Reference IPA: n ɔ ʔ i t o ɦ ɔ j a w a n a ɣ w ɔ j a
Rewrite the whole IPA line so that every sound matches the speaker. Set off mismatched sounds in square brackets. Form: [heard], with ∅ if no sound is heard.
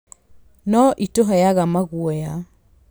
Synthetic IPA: n ɔ ʔ i t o ɦ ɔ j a [ɣ] a [m] a ɣ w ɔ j a